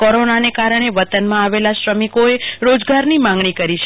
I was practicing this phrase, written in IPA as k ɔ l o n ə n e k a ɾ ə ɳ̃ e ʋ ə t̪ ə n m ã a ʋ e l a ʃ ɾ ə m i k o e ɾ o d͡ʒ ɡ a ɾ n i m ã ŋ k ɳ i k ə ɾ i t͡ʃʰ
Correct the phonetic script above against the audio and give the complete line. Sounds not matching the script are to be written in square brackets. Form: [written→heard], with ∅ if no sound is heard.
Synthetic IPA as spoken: k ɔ [l→ɾ] o n [ə→a] n e k a ɾ ə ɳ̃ e ʋ ə t̪ ə n m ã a ʋ e l a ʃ ɾ ə m i k o e ɾ o d͡ʒ ɡ a ɾ n i m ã ŋ [k→ɡ] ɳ i k ə ɾ i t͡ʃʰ